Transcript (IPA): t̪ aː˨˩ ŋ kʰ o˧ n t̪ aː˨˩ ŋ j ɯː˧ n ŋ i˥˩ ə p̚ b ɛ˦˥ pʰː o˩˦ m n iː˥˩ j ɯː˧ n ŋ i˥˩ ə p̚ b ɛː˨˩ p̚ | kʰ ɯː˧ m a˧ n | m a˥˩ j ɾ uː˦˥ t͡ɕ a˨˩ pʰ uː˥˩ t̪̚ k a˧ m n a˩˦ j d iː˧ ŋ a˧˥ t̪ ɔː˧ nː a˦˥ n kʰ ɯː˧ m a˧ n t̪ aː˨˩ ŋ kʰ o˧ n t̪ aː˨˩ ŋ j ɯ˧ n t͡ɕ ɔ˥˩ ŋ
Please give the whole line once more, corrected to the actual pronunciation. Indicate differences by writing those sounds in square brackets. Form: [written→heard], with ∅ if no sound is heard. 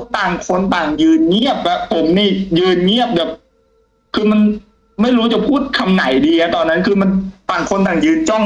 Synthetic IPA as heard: t̪ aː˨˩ ŋ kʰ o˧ n t̪ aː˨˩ ŋ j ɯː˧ n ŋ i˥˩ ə p̚ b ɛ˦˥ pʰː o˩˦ m n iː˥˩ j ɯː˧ n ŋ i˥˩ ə p̚ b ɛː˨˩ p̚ | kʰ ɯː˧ m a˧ n | m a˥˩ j ɾ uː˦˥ t͡ɕ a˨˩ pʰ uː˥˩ t̪̚ [k→kʰ] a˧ m n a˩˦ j d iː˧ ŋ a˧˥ t̪ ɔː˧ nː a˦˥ n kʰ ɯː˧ m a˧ n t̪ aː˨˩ ŋ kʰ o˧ n t̪ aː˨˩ ŋ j [ɯ˧→ɯː˧] n t͡ɕ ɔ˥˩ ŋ